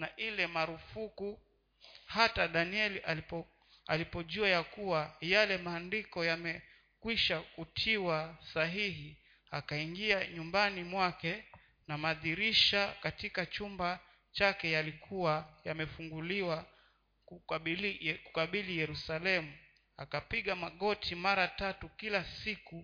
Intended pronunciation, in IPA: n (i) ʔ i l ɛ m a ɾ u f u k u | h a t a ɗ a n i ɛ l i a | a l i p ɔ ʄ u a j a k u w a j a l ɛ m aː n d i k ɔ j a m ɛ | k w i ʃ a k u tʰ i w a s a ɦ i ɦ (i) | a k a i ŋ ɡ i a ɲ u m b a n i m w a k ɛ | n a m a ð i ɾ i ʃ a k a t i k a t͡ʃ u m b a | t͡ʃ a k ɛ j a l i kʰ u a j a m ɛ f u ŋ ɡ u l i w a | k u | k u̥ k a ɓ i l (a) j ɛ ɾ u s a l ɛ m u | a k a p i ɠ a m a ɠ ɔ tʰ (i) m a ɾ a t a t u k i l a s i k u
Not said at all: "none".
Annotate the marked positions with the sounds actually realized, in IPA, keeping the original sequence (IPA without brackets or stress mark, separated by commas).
a, i, i, i